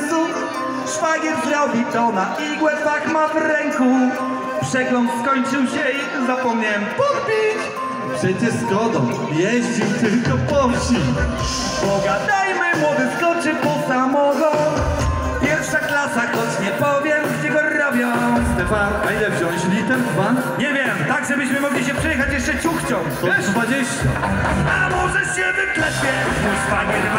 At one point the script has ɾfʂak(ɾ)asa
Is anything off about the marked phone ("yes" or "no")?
yes